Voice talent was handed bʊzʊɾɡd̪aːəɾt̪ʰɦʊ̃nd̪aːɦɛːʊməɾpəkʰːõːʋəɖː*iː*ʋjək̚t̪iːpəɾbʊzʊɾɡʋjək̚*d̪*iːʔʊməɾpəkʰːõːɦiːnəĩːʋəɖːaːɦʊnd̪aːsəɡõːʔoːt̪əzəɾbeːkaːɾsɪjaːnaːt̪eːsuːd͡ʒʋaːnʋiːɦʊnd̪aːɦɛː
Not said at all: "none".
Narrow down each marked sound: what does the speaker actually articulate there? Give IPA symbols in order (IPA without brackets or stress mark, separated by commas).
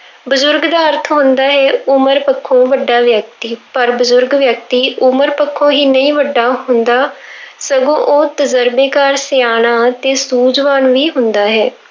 aː, t̪